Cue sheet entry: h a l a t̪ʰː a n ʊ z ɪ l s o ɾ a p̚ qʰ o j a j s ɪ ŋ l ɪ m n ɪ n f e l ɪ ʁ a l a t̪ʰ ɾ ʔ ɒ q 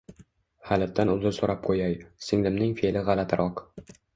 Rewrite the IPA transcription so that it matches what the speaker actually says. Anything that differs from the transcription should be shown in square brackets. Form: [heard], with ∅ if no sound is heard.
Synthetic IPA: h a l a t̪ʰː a n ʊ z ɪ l s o ɾ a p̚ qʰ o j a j s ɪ ŋ l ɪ m n ɪ [ŋ] f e l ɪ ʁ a l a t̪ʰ ɾ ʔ ɒ q